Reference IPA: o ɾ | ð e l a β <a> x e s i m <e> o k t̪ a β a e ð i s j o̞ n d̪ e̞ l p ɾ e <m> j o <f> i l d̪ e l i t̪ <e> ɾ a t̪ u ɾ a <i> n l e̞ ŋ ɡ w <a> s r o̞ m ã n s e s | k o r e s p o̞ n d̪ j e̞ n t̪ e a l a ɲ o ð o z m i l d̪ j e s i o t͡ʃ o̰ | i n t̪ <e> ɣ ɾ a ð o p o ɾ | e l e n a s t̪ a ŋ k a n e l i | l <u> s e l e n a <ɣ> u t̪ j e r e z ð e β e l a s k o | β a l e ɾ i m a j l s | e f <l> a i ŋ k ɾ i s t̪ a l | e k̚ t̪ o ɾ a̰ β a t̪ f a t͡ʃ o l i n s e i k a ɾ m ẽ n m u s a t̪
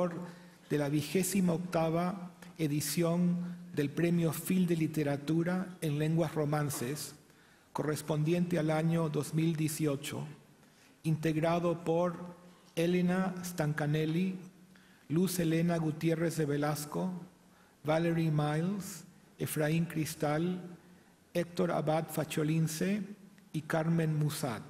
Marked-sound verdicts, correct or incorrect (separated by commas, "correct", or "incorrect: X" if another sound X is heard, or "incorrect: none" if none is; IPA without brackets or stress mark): incorrect: i, incorrect: a, correct, correct, correct, incorrect: e, correct, correct, correct, correct, incorrect: ɾ